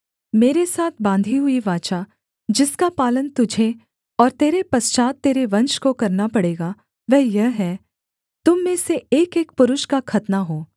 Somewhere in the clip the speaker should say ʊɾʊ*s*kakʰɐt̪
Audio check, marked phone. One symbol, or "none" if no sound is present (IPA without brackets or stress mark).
ʃ